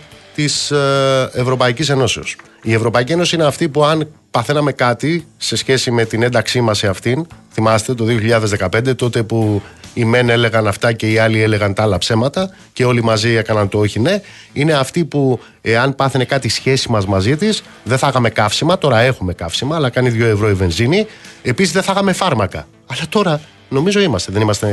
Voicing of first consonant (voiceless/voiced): voiceless